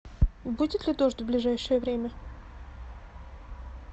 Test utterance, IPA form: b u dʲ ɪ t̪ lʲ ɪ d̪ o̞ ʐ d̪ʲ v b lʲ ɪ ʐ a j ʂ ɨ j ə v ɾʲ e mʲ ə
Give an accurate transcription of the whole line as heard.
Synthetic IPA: b u dʲ ɪ t̪ lʲ ɪ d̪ o̞ ʐ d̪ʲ v b lʲ ɪ ʐ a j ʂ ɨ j ə v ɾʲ e mʲ ə